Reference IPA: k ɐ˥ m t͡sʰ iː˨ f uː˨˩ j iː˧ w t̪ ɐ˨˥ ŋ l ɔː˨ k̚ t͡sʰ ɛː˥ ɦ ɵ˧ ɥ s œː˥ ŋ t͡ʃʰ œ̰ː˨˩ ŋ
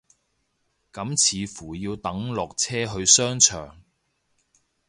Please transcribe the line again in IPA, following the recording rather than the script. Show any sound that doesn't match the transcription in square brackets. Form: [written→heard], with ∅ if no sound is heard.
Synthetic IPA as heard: k [ɐ˥→ɐ˨˥] m t͡sʰ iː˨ f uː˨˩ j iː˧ w t̪ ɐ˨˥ ŋ l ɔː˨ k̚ t͡sʰ ɛː˥ ɦ ɵ˧ ɥ s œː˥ ŋ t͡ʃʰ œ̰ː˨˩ ŋ